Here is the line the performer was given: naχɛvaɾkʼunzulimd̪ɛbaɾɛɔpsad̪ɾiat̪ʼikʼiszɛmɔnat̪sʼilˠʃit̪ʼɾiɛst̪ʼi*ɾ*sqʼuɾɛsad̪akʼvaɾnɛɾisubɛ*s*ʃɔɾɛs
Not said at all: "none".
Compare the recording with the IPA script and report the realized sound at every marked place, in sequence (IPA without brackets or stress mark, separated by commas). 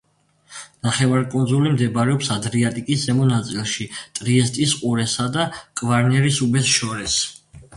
none, s